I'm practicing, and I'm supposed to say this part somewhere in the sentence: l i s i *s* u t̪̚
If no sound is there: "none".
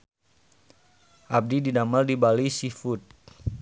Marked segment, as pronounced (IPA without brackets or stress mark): f